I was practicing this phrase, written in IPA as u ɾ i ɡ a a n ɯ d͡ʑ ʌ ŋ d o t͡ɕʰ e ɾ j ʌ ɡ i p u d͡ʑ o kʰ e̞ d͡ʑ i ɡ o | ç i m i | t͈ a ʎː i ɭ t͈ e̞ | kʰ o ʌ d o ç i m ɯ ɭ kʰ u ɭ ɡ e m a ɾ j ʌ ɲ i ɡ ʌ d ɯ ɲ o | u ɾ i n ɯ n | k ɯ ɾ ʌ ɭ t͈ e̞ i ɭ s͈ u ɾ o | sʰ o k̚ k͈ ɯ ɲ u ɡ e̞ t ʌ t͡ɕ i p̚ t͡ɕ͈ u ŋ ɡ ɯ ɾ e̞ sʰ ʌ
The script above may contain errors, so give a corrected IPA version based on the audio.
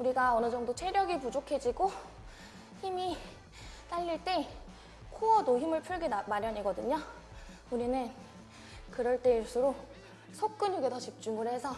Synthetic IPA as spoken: u ɾ i ɡ a ʌ n ɯ d͡ʑ ʌ ŋ d o t͡ɕʰ e ɾ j ʌ ɡ i p u d͡ʑ o kʰ e̞ d͡ʑ i ɡ o | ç i m i | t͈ a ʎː i ɭ t͈ e̞ | kʰ o ʌ d o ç i m ɯ ɭ pʰ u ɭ ɡ e m a ɾ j ʌ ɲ i ɡ ʌ d ɯ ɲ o | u ɾ i n ɯ n | k ɯ ɾ ʌ ɭ t͈ e̞ i ɭ s͈ u ɾ o | sʰ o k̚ k͈ ɯ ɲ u ɡ e̞ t ʌ t͡ɕ i p̚ t͡ɕ͈ u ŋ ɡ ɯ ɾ e̞ sʰ ʌ

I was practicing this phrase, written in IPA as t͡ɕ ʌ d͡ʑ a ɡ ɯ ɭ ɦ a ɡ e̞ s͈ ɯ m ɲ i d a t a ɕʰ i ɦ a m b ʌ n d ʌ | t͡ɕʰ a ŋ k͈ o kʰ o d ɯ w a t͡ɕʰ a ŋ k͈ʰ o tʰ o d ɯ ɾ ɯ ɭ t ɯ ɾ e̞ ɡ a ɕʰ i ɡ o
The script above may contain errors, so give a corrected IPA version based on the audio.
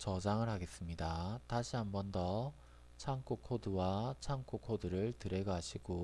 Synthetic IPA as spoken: t͡ɕ ʌ d͡ʑ a ŋ ɯ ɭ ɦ a ɡ e̞ s͈ ɯ m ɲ i d a t a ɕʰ i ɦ a m b ʌ n d ʌ | t͡ɕʰ a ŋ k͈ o kʰ o d ɯ w a t͡ɕʰ a ŋ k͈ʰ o kʰ o d ɯ ɾ ɯ ɭ t ɯ ɾ e̞ ɡ a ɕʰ i ɡ o

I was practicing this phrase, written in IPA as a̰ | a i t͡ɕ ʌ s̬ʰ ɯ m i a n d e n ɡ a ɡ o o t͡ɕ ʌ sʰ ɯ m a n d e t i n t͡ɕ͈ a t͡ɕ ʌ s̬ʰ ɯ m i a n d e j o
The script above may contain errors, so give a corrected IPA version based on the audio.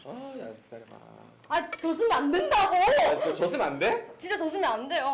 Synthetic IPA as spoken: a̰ | a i t͡ɕ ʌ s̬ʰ ɯ m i a n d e n d a ɡ o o t͡ɕ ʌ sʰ ɯ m a n d e t͡ɕ i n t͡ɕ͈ a t͡ɕ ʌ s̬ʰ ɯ m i a n d e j o

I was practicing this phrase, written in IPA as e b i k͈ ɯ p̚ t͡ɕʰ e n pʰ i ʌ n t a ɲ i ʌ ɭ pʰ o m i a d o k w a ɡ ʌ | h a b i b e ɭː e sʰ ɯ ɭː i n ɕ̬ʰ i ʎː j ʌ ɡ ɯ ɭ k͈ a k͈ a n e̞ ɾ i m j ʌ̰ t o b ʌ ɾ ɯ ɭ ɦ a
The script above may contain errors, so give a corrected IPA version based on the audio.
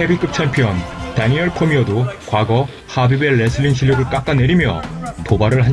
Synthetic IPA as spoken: e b i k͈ ɯ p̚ t͡ɕʰ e m pʰ i ʌ n t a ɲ i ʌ ɭ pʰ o m i ʌ d o k w a ɡ ʌ | h a b i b e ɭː e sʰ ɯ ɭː i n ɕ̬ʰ i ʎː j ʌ ɡ ɯ ɭ k͈ a k͈ a n e̞ ɾ i m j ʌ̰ t o b a ɾ ɯ ɭ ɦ a

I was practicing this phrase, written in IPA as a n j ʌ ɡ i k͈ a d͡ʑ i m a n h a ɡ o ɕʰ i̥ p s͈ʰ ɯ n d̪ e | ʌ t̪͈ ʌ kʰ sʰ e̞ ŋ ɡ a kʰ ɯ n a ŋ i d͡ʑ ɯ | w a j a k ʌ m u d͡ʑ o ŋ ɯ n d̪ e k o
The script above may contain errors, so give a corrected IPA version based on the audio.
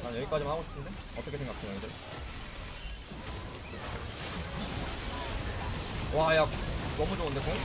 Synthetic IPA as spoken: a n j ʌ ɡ i k͈ a d͡ʑ i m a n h a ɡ o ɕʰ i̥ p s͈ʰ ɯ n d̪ e | ʌ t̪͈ ʌ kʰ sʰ e̞ ŋ ɡ a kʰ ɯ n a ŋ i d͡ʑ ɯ | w a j a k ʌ m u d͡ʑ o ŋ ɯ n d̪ e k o

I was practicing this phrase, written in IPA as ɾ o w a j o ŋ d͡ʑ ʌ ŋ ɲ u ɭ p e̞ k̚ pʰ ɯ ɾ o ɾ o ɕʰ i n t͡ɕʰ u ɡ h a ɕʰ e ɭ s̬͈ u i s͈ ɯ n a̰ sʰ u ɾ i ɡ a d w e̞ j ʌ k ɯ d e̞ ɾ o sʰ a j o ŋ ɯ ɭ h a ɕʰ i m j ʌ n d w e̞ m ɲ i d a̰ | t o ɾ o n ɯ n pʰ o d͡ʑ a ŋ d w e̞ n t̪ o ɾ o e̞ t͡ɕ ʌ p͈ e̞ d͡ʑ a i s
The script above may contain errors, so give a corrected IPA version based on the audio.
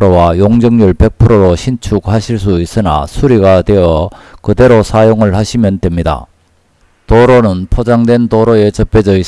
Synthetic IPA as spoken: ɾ o w a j o ŋ d͡ʑ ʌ ŋ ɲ u ɭ p e̞ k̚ pʰ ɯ ɾ o ɾ o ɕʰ i n t͡ɕʰ u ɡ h a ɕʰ i ɭ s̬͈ u i s͈ ɯ n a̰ sʰ u ɾ i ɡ a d w e̞ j ʌ k ɯ d e̞ ɾ o sʰ a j o ŋ ɯ ɭ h a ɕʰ i m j ʌ n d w e̞ m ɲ i d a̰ | t o ɾ o n ɯ n pʰ o d͡ʑ a ŋ d w e̞ n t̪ o ɾ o e̞ t͡ɕ ʌ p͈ e̞ d͡ʑ ʌ i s

